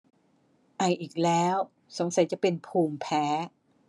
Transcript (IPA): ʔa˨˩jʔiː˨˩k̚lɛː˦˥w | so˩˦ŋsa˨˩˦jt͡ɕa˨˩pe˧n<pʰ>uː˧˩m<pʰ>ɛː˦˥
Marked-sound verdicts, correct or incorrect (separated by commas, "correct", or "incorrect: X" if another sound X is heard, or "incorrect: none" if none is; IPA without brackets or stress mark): correct, correct